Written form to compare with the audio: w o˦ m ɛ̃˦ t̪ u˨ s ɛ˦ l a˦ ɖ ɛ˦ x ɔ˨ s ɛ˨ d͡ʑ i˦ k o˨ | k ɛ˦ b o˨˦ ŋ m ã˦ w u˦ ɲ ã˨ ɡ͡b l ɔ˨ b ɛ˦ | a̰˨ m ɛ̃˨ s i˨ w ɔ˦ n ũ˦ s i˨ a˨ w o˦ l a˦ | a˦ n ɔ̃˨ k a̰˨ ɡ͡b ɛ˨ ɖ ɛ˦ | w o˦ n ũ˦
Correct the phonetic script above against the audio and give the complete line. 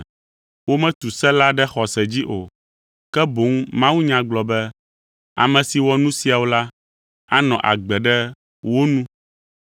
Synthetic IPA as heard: w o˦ m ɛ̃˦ t̪ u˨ s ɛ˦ l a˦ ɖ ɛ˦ x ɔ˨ s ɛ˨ d͡ʑ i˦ ʔ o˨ | k ɛ˦ b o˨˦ ŋ m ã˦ w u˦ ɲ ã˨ ɡ͡b l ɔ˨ b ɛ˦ | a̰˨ m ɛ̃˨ s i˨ w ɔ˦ n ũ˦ s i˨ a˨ w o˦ l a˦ | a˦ n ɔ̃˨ ʔ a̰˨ ɡ͡b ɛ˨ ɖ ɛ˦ | w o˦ n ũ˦